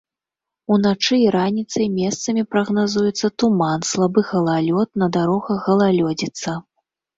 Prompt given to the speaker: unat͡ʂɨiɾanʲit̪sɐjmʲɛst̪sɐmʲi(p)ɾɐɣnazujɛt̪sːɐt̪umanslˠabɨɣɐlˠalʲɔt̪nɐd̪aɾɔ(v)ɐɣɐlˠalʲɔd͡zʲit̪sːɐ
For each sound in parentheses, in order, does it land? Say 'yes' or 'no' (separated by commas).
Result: yes, no